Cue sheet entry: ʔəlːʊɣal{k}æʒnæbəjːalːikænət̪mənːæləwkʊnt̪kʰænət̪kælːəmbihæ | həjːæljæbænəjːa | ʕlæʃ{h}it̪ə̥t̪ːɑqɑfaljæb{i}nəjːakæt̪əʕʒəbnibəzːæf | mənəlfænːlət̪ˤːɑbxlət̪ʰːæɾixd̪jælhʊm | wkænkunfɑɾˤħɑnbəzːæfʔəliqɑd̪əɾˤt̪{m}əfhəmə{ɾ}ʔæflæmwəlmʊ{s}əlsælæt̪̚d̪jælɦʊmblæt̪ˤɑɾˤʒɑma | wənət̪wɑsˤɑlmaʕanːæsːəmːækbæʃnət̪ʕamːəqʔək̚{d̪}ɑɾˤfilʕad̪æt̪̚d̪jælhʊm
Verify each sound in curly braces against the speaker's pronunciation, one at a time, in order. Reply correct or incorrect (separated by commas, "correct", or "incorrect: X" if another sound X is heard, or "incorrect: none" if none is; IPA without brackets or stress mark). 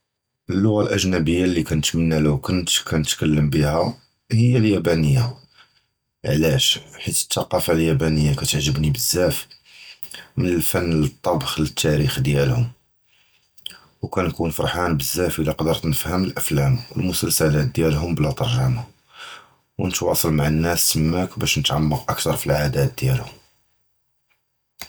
incorrect: ʔ, incorrect: ħ, incorrect: æ, incorrect: n, incorrect: l, correct, incorrect: t̪